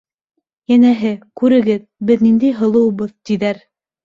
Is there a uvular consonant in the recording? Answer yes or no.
no